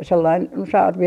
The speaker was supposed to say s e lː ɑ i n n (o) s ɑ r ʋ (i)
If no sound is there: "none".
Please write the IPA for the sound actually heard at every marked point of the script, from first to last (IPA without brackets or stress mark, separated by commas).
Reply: o, i